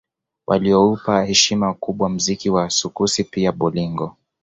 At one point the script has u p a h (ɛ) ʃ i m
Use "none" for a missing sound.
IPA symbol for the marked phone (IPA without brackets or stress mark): ɛ